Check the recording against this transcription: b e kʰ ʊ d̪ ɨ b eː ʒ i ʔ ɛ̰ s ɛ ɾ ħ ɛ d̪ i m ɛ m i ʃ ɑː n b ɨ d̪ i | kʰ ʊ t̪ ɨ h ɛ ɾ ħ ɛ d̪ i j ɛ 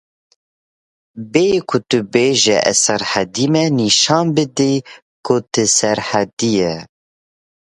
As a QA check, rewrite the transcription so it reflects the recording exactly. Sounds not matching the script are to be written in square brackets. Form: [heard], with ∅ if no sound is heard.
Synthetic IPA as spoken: b e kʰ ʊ [t̪] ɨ b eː ʒ [ɛ] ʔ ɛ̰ s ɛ ɾ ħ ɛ d̪ i m ɛ [n] i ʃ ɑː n b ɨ d̪ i | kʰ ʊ t̪ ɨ [s] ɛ ɾ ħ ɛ d̪ i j ɛ